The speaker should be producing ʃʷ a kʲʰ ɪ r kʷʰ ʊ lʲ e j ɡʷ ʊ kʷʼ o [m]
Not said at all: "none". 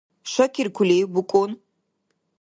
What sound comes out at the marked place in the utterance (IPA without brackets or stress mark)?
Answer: n